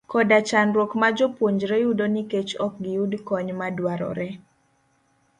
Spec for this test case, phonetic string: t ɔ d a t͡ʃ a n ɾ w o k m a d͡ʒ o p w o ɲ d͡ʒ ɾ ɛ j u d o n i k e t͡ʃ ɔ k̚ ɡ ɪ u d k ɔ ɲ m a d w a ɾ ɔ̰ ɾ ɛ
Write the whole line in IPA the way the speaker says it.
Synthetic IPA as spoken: k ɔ d a t͡ʃ a n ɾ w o k m a d͡ʒ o p w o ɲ d͡ʒ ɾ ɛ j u d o n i k e t͡ʃ ɔ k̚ ɡ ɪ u d k ɔ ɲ m a d w a ɾ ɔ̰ ɾ ɛ